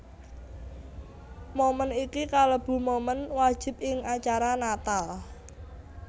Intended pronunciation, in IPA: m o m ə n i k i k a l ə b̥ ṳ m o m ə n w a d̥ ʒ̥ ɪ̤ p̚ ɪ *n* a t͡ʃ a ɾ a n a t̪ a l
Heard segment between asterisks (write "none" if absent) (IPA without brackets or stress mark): ŋ